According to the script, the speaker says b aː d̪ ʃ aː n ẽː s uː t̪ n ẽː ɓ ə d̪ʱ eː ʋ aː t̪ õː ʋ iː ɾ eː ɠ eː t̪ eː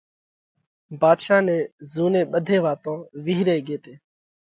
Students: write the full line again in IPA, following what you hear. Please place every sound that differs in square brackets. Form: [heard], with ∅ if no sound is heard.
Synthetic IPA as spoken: b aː d̪ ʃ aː n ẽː [z] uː [∅] n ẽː ɓ ə d̪ʱ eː ʋ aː t̪ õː ʋ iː ɾ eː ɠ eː t̪ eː